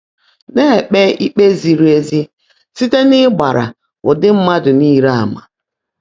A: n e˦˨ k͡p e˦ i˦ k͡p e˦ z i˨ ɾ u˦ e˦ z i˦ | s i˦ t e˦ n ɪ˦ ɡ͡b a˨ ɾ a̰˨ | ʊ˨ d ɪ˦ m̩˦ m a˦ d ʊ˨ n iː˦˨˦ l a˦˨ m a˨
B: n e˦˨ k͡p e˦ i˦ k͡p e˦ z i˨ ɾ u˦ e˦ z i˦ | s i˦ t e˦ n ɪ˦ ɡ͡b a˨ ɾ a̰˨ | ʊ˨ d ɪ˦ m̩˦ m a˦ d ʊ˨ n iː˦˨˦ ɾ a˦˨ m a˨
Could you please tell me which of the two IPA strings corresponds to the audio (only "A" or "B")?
B